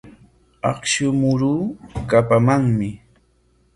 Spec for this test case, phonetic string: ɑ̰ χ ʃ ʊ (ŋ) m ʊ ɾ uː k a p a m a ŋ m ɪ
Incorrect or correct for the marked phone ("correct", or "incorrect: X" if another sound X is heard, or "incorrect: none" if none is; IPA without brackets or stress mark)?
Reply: incorrect: none